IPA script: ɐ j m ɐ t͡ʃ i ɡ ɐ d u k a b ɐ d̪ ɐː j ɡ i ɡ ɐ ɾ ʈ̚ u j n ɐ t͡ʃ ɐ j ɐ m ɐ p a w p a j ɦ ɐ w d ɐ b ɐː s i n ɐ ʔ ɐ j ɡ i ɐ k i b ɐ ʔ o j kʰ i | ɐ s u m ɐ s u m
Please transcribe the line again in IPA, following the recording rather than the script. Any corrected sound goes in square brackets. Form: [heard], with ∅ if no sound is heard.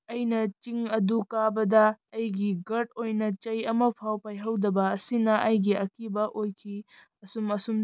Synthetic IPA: ɐ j [n] ɐ t͡ʃ i [ŋ] ɐ d u k a b ɐ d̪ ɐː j ɡ i ɡ ɐ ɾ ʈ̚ [o] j n ɐ t͡ʃ ɐ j ɐ m ɐ [pʰ] a w p a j ɦ ɐ w d ɐ b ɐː s i n ɐ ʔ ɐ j ɡ i ɐ k i b ɐ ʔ o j kʰ i | ɐ s u m ɐ s u m